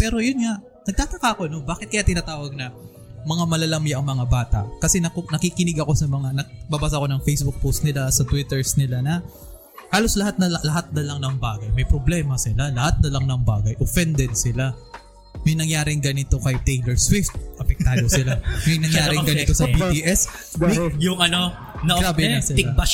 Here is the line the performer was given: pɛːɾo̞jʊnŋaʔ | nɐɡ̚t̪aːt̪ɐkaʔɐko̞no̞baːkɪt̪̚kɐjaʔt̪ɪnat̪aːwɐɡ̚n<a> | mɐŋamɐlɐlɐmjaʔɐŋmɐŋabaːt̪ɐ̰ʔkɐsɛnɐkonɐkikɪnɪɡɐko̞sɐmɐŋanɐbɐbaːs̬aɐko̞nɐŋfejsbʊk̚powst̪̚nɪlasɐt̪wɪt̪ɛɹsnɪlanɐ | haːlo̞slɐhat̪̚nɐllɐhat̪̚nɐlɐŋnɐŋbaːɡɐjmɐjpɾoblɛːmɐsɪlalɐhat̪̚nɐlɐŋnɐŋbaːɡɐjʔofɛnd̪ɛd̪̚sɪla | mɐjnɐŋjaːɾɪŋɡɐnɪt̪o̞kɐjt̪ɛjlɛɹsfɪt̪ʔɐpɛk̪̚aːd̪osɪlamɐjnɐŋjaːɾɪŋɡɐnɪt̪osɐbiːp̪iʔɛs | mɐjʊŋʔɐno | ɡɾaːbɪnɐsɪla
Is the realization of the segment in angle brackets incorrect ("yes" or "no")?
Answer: yes